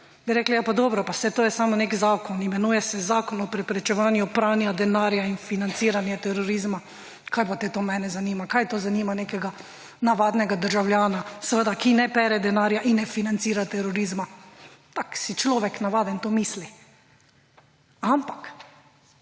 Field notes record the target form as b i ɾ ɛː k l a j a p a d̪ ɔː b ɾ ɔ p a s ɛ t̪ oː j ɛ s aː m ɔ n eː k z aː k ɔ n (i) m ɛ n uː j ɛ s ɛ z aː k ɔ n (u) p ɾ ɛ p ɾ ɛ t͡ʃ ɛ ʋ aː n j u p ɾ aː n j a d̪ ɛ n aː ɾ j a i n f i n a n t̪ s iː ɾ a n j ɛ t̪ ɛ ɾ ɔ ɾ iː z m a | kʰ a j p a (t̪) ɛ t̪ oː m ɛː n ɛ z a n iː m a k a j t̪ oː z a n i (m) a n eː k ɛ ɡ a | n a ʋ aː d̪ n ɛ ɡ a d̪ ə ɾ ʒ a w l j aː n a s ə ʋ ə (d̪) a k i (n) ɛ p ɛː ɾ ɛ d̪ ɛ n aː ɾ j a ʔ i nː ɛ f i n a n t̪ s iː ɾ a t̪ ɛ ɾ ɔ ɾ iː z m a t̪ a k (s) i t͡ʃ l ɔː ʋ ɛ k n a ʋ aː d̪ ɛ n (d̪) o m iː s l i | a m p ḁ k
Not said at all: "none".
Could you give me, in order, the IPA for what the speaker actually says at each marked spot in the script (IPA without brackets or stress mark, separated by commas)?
i, ɔ, t̪, m, d̪, n, s, t̪